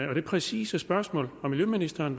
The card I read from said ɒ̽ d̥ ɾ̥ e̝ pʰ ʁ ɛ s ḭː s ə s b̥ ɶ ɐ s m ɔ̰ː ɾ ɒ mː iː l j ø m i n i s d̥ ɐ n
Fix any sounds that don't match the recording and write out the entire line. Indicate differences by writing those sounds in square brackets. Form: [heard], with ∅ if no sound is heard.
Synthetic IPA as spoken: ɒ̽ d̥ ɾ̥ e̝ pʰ ʁ ɛ s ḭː s ə s b̥ ɶ ɐ s m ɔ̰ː [l] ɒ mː [i] l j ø m i n i s d̥ ɐ n